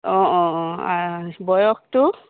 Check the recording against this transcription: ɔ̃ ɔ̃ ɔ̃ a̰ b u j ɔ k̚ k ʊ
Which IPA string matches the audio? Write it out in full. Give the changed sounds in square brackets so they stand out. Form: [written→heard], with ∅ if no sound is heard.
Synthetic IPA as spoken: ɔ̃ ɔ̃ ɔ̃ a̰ b [u→ɔ] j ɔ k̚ [k→t] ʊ